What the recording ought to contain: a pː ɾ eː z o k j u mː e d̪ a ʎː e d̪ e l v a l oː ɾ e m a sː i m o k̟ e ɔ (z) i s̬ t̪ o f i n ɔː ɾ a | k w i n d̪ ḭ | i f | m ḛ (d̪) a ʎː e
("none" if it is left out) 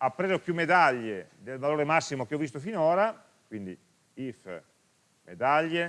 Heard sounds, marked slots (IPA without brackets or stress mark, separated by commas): v, d̪